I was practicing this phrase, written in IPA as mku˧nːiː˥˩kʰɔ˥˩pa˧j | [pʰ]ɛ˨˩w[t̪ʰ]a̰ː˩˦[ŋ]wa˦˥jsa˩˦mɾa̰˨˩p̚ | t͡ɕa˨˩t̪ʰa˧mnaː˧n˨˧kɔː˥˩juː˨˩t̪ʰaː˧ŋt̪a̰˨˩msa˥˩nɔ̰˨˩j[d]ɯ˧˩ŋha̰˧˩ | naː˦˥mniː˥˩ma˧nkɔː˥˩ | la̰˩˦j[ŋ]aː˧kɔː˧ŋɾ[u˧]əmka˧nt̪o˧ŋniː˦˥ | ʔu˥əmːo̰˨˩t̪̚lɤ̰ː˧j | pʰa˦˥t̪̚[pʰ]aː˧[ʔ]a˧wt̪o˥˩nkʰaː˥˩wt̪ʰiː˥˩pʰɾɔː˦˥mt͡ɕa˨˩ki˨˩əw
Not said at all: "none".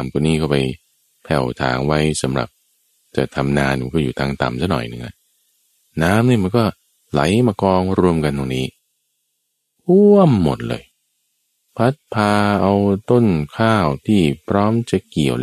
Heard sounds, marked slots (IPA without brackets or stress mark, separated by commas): pʰ, t̪ʰ, ŋ, n, m, u˧, pʰ, ʔ